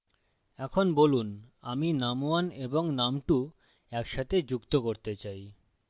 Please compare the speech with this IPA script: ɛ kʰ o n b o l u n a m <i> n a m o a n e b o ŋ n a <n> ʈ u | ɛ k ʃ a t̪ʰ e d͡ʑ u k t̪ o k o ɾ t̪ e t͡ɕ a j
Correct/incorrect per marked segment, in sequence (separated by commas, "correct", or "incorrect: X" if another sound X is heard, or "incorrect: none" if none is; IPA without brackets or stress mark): correct, incorrect: m